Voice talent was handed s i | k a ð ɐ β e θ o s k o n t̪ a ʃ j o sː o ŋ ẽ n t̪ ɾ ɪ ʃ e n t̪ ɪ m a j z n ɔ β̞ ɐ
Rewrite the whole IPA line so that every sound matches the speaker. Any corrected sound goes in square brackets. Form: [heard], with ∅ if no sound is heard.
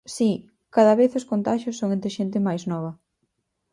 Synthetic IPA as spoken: s i | k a ð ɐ β e θ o s k o n t̪ a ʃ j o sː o ŋ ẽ n t̪ ɾ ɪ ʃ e n t̪ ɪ m a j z n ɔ β̞ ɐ